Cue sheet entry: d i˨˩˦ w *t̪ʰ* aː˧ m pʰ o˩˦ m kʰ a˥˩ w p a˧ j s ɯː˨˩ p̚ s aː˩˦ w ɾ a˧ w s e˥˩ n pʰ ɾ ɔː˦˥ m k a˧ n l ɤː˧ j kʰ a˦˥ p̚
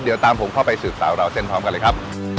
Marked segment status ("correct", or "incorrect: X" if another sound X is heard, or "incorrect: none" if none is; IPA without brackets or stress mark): incorrect: t̪